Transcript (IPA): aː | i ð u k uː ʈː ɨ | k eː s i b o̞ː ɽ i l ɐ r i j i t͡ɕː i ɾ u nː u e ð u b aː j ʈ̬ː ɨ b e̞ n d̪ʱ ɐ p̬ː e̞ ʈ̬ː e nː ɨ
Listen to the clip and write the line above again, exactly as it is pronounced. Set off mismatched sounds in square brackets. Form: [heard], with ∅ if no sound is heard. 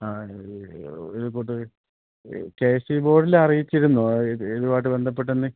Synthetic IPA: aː | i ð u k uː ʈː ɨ | k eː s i b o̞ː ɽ i l ɐ r i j i t͡ɕː i ɾ u nː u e ð u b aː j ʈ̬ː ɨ b e̞ n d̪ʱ ɐ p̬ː e̞ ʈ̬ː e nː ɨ